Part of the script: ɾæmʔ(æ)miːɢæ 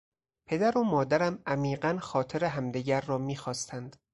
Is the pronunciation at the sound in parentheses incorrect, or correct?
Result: correct